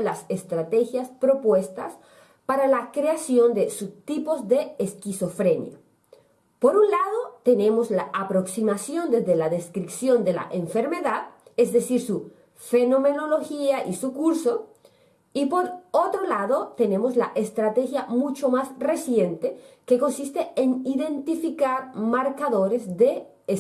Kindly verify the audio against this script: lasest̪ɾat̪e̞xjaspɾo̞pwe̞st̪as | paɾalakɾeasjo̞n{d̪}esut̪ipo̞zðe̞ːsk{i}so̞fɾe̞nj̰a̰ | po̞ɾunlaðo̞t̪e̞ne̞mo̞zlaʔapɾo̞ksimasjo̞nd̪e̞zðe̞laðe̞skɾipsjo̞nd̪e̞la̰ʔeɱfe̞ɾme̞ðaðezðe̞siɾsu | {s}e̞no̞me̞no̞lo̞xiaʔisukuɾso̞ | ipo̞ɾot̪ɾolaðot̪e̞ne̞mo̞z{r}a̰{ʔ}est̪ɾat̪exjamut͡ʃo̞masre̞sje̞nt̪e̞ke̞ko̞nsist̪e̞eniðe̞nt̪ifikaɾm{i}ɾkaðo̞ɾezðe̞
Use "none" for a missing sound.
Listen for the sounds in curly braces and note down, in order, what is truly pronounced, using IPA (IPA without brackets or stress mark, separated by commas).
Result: d̪, i, f, l, ʔ, a